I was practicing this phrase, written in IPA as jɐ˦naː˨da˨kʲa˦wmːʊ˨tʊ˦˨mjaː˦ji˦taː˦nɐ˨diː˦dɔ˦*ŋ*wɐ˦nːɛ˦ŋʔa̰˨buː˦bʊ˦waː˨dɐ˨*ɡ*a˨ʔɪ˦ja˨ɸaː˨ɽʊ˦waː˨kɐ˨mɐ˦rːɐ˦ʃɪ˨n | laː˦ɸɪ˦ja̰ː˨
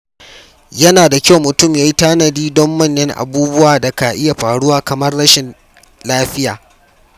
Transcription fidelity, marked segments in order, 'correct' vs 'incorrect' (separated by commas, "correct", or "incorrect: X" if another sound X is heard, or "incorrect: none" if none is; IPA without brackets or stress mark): incorrect: m, incorrect: k